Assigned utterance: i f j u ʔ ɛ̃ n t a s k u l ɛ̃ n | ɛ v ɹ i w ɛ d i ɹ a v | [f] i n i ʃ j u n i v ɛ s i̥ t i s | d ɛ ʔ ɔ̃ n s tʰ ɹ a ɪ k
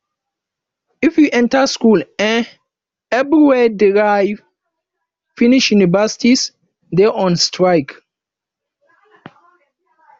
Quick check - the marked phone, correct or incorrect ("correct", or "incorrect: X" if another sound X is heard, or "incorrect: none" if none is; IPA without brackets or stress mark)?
correct